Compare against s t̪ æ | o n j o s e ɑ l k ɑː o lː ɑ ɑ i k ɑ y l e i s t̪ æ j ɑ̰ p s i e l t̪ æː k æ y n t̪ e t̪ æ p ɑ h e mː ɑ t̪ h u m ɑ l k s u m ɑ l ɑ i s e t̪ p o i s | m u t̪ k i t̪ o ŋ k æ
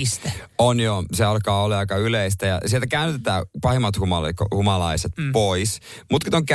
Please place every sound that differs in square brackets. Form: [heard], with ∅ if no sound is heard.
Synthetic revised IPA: s t̪ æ | o n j o s e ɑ l k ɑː o lː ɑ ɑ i k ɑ y l e i s t̪ æ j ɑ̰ [∅] s i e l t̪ [æ] k æ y n t̪ e t̪ [æː] p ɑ h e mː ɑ t̪ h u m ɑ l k [h] u m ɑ l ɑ i s e t̪ p o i s | m u t̪ k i t̪ o ŋ k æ